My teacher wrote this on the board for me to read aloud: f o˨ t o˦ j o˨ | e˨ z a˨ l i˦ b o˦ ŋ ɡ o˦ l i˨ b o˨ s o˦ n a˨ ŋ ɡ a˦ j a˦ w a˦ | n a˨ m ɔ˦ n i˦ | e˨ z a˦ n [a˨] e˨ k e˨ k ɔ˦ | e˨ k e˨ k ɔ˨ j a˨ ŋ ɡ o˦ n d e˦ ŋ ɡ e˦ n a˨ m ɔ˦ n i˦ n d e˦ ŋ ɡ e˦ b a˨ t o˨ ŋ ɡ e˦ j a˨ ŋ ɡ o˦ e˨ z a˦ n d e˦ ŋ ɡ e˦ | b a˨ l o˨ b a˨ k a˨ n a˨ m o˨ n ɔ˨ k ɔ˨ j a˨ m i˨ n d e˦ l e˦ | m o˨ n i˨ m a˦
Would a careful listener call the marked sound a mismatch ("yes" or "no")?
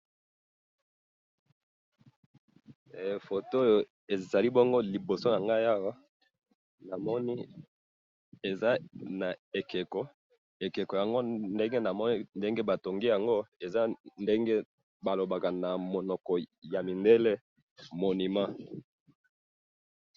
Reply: no